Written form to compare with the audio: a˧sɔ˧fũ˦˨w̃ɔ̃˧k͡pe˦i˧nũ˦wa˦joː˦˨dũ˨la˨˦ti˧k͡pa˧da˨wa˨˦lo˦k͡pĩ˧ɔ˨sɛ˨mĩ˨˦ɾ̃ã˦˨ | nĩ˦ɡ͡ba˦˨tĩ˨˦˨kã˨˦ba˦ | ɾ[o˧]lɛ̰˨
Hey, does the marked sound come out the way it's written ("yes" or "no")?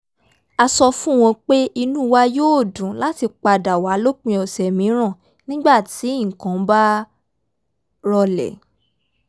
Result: no